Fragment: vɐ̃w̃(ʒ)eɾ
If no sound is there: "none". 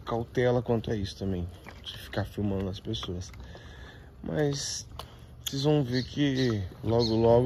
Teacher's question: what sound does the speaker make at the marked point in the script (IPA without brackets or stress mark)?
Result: v